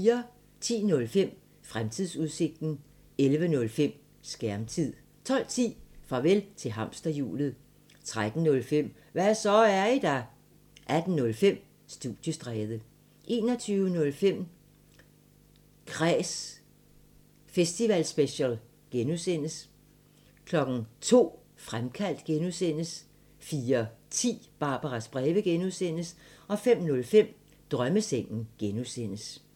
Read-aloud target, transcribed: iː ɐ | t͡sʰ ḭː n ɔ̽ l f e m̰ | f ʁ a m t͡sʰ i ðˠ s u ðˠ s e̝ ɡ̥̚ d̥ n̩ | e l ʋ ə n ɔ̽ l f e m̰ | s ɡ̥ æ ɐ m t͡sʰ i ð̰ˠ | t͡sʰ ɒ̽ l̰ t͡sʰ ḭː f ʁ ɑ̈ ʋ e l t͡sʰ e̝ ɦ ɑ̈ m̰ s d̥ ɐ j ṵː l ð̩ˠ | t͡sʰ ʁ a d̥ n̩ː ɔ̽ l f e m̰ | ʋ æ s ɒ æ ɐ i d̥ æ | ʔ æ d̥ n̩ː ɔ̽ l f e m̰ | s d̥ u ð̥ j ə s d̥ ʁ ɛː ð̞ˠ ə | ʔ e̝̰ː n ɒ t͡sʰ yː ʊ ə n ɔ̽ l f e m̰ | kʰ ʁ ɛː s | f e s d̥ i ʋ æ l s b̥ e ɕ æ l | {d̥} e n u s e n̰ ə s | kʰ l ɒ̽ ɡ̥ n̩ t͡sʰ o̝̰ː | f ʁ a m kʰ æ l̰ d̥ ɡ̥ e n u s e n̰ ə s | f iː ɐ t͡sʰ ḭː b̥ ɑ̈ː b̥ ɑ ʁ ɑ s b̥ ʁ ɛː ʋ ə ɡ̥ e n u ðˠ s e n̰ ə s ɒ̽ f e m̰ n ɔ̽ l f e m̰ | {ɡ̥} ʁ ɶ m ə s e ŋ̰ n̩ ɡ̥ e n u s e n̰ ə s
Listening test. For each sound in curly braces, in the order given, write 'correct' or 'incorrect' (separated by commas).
incorrect, incorrect